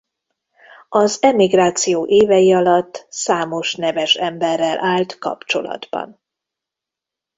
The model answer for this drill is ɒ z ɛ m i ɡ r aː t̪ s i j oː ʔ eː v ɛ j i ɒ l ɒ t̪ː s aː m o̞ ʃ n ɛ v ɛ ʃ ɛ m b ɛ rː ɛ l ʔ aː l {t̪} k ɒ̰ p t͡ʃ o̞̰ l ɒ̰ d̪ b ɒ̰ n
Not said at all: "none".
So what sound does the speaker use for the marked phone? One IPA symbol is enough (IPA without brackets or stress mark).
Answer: t̪